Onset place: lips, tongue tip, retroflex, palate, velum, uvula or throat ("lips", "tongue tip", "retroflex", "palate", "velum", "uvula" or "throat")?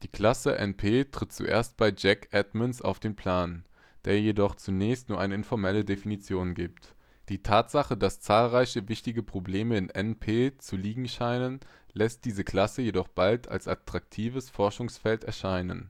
tongue tip